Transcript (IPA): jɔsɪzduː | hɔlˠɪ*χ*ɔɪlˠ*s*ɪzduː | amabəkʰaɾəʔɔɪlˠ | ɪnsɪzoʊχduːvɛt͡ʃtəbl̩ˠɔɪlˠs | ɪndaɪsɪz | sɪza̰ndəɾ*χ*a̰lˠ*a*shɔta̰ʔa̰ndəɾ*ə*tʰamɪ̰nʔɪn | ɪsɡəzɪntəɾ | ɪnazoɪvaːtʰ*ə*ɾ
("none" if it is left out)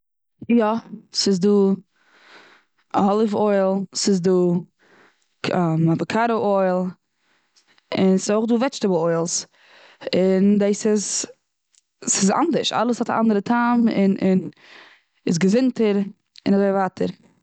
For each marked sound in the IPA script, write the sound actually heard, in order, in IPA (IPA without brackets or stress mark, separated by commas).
f, s, ʃ, ə, ə, ə